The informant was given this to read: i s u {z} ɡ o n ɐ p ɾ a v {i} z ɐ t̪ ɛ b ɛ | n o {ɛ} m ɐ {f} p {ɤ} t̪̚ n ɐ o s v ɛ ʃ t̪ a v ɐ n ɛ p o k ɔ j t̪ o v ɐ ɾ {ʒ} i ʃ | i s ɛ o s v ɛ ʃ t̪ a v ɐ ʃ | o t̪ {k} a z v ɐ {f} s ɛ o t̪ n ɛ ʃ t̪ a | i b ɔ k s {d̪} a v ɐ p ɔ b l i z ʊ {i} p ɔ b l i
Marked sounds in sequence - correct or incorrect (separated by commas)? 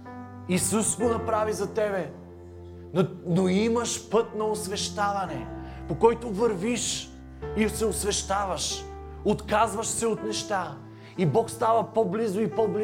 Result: incorrect, correct, incorrect, incorrect, correct, incorrect, correct, incorrect, incorrect, correct